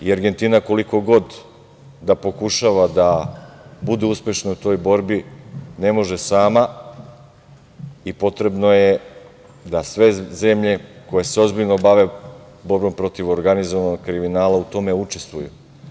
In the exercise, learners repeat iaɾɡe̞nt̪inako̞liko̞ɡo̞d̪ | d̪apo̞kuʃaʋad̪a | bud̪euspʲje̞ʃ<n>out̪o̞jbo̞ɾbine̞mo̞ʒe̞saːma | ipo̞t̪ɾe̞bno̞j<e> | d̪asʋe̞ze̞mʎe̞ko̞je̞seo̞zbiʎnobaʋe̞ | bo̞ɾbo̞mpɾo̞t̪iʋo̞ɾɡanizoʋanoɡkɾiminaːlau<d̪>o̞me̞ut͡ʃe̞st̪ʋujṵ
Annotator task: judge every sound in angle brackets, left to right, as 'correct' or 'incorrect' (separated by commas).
correct, correct, incorrect